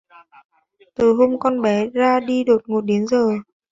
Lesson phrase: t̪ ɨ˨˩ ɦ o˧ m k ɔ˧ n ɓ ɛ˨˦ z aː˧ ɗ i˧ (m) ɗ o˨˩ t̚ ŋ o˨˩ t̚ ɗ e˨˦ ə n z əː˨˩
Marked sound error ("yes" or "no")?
yes